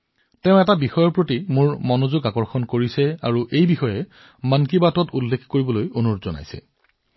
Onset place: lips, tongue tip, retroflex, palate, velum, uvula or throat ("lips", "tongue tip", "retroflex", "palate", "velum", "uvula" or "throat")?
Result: tongue tip